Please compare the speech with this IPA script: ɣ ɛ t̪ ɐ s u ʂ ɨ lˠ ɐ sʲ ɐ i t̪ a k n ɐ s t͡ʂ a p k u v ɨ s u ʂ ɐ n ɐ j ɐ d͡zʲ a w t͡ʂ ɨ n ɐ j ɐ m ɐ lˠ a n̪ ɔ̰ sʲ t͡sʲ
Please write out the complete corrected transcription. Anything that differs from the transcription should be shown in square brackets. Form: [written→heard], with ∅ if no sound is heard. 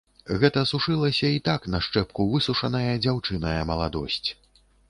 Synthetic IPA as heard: ɣ ɛ t̪ ɐ s u ʂ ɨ lˠ ɐ sʲ ɐ i t̪ a k n ɐ [s→ʂ] t͡ʂ [a→ɛ] p k u v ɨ s u ʂ ɐ n ɐ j ɐ d͡zʲ a w t͡ʂ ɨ n ɐ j ɐ m ɐ lˠ a [n̪→d̪] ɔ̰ sʲ t͡sʲ